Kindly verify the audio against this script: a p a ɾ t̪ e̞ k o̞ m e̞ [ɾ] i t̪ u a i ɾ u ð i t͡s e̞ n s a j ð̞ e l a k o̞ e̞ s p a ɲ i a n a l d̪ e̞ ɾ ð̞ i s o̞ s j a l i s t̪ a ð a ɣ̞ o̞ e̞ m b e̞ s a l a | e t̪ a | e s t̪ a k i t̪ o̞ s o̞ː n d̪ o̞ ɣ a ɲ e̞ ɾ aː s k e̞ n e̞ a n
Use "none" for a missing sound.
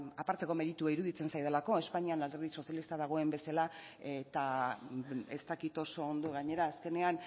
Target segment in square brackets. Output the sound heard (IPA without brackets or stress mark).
ɾ